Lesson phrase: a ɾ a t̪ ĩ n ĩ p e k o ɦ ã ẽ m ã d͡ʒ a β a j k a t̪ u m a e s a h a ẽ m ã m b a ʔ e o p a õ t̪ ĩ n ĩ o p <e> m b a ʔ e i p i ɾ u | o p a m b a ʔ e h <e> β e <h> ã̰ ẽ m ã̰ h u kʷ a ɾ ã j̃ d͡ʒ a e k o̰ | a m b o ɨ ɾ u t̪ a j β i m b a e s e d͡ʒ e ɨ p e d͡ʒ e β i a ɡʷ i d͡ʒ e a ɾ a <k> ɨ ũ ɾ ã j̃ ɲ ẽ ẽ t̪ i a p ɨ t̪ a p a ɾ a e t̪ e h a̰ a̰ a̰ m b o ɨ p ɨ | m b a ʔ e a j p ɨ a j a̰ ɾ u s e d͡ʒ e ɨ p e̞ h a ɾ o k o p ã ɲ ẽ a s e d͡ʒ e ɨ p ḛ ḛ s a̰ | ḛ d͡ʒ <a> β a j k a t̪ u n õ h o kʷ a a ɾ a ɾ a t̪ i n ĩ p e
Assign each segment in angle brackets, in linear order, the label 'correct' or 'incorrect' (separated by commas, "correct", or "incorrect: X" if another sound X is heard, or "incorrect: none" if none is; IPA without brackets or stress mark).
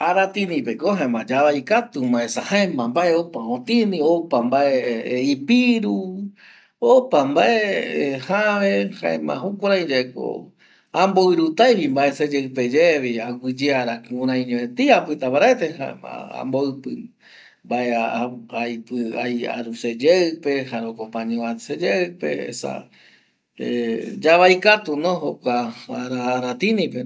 incorrect: a, incorrect: a, correct, correct, correct